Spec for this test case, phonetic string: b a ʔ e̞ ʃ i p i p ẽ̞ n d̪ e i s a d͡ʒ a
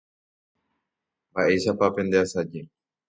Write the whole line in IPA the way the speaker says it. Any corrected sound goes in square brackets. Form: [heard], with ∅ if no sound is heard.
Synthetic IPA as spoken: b a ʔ e̞ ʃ [a] p [a] p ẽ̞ n d̪ e [a] s a d͡ʒ [e]